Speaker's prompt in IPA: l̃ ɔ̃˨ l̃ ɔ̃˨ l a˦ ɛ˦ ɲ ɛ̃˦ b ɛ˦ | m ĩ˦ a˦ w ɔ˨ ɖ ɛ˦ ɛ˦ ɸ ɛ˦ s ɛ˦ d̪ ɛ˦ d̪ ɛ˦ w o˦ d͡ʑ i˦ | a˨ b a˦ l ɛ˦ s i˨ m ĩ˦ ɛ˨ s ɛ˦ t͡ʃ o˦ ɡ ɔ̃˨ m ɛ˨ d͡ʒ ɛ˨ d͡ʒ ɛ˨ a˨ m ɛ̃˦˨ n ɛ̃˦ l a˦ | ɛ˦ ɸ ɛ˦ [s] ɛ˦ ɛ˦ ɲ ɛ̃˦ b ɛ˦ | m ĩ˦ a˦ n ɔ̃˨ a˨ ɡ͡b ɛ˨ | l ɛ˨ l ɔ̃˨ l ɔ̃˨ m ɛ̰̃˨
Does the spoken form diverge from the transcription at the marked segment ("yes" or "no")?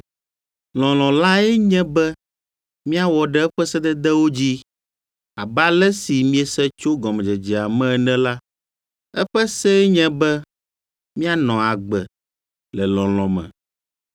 no